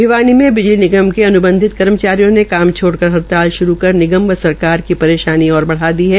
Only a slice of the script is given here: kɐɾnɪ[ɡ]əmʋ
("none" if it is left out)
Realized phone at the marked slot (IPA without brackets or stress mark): ɡ